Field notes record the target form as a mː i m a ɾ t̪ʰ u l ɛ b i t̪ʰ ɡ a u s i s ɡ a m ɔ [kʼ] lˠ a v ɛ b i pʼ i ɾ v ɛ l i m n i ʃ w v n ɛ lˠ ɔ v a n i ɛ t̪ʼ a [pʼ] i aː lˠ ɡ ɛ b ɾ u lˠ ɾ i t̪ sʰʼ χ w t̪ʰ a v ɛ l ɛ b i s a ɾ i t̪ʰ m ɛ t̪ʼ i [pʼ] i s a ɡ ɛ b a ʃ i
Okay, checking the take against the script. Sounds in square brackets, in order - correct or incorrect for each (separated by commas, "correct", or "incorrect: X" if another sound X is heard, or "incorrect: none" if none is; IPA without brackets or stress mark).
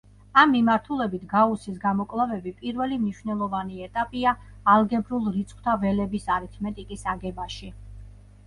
correct, correct, incorrect: kʼ